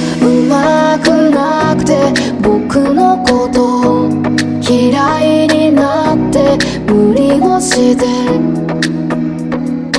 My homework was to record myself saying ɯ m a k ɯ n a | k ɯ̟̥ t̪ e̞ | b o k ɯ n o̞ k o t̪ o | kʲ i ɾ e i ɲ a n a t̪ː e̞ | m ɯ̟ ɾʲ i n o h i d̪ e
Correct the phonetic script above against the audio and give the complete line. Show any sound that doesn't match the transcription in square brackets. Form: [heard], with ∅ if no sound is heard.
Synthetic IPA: ɯ m a k ɯ n a | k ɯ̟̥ t̪ e̞ | b o k ɯ n o̞ k o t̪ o | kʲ i ɾ [a] i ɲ [i] n a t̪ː e̞ | m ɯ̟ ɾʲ i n o [ɕ] i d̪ e